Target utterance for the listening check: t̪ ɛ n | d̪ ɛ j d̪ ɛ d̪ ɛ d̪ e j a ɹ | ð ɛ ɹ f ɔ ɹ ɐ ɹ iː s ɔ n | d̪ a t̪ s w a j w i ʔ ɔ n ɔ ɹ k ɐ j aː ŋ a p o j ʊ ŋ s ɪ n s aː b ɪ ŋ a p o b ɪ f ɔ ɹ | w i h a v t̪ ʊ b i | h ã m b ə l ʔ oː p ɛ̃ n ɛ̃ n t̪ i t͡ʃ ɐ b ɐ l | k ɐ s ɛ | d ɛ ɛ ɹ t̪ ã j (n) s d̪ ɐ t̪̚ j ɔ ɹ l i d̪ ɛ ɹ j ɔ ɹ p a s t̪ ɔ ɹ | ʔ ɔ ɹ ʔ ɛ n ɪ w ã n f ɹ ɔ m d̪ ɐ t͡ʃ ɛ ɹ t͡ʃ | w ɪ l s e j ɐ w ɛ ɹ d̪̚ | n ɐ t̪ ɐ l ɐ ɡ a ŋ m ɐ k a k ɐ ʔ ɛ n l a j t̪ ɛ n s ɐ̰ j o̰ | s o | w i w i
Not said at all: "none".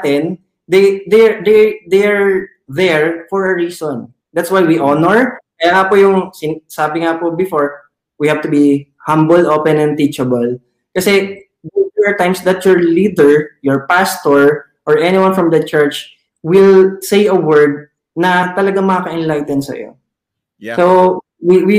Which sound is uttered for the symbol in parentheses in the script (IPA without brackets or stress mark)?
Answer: m